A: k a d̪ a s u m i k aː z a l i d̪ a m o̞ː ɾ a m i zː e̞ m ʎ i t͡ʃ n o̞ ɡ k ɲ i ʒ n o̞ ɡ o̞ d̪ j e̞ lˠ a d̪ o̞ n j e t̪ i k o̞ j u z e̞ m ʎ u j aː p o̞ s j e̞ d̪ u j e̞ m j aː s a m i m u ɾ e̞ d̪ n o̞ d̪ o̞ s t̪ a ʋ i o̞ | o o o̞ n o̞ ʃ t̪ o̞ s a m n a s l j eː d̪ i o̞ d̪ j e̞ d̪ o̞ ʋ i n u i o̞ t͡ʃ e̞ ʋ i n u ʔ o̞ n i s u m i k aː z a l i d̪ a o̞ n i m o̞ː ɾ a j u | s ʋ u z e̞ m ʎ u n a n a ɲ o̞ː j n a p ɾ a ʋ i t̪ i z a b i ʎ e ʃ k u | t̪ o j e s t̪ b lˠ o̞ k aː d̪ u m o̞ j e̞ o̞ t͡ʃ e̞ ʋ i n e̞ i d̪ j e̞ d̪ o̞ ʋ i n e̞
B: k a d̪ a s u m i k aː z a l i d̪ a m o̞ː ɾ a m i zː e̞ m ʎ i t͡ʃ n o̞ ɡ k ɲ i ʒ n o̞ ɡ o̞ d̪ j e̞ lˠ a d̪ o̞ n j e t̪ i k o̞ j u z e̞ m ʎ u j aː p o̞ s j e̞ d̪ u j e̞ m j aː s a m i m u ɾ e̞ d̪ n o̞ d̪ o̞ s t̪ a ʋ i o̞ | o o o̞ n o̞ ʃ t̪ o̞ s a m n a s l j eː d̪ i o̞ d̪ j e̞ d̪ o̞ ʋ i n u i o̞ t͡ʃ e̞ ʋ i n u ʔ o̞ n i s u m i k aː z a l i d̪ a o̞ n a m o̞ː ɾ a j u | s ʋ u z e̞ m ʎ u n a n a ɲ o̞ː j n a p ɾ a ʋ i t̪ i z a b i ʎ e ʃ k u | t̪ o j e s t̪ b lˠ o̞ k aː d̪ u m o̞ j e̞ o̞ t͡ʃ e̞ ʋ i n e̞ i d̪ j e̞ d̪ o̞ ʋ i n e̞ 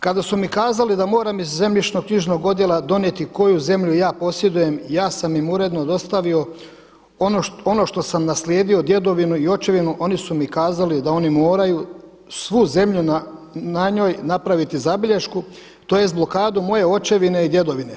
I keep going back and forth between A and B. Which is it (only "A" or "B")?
A